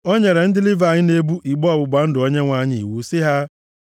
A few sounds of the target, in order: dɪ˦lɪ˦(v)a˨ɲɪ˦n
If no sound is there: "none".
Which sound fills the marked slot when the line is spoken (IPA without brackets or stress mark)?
v